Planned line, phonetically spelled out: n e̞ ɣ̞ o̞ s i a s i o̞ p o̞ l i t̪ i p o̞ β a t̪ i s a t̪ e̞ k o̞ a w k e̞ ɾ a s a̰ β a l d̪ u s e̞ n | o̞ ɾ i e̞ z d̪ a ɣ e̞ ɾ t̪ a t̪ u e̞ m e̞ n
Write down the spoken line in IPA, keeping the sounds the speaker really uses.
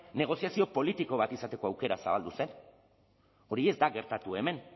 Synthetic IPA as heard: n e̞ ɣ̞ o̞ s i a s i o̞ p o̞ l i t̪ i k o̞ β a t̪ i s a t̪ e̞ k o̞ a w k e̞ ɾ a s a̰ β a l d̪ u s e̞ n | o̞ ɾ i e̞ z d̪ a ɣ e̞ ɾ t̪ a t̪ u e̞ m e̞ n